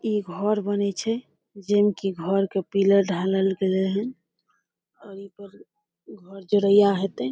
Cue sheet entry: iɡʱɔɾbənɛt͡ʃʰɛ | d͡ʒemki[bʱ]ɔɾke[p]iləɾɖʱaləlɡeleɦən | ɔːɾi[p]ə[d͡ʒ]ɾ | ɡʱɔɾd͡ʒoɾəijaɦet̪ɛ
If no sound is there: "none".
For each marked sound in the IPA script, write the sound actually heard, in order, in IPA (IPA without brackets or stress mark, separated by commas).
ɡʱ, p, p, none